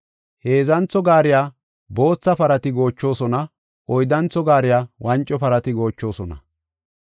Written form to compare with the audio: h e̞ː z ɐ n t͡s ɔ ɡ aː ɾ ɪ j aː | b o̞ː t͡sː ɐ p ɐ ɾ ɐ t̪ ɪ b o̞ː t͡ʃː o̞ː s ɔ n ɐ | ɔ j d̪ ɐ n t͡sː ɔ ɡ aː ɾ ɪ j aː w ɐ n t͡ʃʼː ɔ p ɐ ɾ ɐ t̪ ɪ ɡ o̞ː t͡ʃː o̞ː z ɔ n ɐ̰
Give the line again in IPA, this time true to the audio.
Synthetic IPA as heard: h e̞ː z ɐ n t͡s ɔ ɡ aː ɾ ɪ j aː | b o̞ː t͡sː ɐ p ɐ ɾ ɐ t̪ ɪ ɡ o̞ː t͡ʃː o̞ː s ɔ n ɐ | ɔ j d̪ ɐ n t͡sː ɔ ɡ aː ɾ ɪ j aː w ɐ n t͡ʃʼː ɔ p ɐ ɾ ɐ t̪ ɪ ɡ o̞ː t͡ʃː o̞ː s ɔ n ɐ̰